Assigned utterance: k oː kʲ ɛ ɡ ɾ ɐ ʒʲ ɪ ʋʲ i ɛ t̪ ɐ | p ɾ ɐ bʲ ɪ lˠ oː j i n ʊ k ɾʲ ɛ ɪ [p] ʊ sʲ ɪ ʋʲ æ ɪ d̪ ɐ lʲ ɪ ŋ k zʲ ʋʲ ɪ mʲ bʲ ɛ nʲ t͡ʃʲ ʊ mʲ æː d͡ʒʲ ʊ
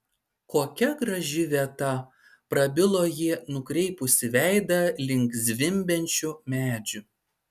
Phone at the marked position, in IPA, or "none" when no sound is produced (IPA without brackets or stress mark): p